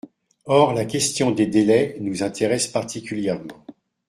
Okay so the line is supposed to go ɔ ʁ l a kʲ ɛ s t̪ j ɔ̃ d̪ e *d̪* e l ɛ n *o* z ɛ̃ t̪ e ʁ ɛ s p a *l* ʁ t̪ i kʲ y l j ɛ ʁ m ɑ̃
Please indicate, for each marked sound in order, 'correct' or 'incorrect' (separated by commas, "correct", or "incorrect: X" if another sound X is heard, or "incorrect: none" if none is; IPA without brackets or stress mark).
correct, incorrect: u, incorrect: none